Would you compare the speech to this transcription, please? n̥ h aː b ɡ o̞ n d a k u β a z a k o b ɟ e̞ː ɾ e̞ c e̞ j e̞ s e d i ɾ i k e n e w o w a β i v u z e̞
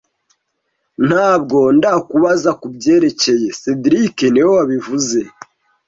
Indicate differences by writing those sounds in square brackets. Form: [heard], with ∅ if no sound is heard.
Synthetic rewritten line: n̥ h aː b ɡ o̞ n d a k u β a z a k [u] b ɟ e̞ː ɾ e̞ c e̞ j e̞ s e d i ɾ i k e n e w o w a β i v u z e̞